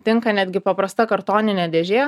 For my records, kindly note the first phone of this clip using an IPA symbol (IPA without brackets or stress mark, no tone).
t̪ʲ